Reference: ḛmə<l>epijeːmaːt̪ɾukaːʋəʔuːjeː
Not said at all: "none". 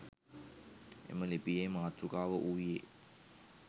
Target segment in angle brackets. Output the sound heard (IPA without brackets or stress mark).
l